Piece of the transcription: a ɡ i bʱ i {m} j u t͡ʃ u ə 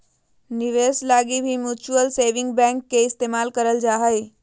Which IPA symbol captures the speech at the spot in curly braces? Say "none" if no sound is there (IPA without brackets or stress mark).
m